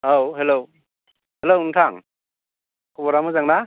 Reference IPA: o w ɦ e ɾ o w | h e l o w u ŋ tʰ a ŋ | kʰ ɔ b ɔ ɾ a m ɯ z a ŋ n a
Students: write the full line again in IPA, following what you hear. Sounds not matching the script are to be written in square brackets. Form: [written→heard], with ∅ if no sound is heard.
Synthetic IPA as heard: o w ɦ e [ɾ→l] o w | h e l o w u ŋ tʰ a ŋ | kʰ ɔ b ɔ ɾ a m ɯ z a ŋ n a